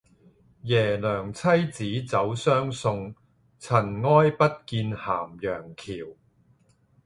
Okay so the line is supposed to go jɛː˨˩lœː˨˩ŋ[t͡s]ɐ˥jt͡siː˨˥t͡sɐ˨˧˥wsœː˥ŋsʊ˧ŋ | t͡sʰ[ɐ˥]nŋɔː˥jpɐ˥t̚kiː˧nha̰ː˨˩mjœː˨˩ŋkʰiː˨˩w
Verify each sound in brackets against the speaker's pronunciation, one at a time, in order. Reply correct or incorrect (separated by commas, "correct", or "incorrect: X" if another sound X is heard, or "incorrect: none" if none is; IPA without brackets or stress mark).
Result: incorrect: t͡sʰ, incorrect: ɐ˨˩